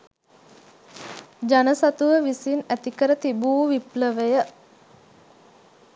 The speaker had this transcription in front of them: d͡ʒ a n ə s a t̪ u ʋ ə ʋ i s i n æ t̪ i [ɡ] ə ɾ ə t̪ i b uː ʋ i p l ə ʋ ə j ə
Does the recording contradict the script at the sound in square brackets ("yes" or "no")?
yes